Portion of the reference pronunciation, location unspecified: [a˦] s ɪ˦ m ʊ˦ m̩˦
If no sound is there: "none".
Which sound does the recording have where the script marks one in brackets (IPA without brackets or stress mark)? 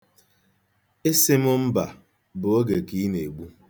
e˦